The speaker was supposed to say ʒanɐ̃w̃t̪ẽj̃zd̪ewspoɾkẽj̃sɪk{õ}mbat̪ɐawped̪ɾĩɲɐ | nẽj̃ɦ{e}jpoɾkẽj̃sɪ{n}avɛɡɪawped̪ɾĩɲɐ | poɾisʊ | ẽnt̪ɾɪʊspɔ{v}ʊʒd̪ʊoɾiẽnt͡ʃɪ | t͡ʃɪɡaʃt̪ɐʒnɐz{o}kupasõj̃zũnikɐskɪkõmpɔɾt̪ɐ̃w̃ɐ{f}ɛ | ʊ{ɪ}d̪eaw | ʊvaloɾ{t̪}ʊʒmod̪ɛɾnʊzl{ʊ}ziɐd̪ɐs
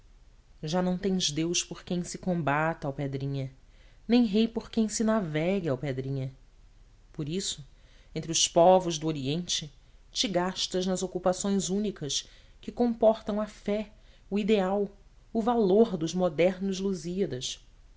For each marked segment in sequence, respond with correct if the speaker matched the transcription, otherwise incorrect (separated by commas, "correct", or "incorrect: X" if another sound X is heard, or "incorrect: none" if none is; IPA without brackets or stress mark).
correct, correct, correct, correct, correct, correct, incorrect: i, incorrect: d̪, incorrect: u